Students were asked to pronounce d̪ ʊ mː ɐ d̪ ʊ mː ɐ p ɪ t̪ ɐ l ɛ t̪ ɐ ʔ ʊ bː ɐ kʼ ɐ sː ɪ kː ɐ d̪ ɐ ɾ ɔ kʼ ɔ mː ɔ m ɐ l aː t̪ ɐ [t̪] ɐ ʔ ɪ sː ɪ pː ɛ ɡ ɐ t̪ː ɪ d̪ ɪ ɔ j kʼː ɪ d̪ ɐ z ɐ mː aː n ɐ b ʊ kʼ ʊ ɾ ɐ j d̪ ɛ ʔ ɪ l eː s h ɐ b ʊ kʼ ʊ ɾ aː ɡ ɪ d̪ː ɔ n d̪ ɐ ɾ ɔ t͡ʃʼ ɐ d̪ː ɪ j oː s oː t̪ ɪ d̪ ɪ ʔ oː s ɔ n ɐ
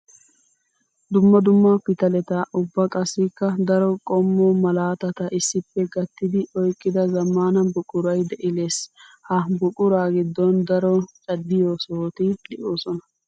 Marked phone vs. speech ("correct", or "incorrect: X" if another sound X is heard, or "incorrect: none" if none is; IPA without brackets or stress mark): correct